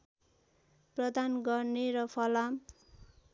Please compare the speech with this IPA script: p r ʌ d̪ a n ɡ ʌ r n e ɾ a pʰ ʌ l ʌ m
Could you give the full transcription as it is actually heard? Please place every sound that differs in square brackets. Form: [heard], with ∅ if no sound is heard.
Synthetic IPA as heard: p r ʌ d̪ a n ɡ ʌ r n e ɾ [ʌ] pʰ ʌ l [a] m

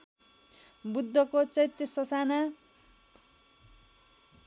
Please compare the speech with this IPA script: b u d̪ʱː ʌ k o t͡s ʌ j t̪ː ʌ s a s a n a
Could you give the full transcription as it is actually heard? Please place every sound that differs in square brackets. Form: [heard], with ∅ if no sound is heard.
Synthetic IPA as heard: b u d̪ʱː ʌ k o t͡s ʌ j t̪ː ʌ s [ʌ] s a n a

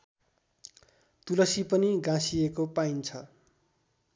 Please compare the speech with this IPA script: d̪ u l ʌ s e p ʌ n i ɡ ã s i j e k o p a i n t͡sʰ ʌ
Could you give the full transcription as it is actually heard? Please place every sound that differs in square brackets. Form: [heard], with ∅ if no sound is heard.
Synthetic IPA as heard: [t̪] u l ʌ s [i] p ʌ n i ɡ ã s i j e k o p a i n t͡sʰ ʌ

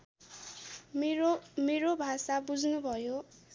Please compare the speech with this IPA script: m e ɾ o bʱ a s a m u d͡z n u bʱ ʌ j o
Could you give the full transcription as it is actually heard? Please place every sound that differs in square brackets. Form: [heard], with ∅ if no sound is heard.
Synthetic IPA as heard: m e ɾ o bʱ a s a [b] u d͡z n u bʱ ʌ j o

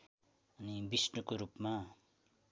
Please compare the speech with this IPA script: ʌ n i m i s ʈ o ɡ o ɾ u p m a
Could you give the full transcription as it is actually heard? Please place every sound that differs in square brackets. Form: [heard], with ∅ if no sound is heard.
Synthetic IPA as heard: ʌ n i [b] i s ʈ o [k] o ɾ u p m a

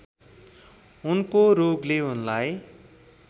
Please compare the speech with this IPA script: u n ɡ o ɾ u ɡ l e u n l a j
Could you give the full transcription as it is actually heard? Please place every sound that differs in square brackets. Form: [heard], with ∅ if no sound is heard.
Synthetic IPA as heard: u n [k] o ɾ [o] ɡ l e u n l a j

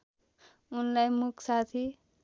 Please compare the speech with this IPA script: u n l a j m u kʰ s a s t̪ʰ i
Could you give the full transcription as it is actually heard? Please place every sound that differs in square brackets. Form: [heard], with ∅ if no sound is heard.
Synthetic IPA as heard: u n l a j m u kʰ s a [∅] t̪ʰ i

